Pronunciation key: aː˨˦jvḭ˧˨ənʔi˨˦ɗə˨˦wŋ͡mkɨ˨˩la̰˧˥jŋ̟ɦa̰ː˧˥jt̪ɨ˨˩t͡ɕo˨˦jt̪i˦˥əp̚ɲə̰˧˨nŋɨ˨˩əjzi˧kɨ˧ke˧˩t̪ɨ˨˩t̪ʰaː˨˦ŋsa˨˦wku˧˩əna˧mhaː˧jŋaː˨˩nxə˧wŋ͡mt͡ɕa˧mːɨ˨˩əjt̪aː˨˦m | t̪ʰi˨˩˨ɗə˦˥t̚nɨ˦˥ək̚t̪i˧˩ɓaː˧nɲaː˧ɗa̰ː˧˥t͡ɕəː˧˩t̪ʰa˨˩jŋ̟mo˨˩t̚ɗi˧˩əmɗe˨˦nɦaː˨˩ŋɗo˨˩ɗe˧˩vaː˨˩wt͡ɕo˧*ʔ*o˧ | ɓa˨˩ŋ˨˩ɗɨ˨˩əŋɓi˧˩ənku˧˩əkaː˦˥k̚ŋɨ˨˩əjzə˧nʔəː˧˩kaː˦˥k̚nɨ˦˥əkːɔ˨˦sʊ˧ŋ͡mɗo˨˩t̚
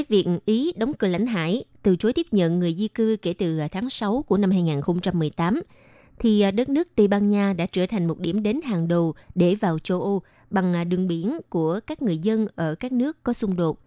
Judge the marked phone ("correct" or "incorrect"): correct